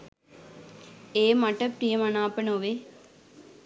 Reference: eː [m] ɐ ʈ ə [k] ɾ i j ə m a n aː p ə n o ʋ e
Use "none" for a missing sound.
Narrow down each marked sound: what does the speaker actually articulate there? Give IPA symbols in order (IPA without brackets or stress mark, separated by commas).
m, p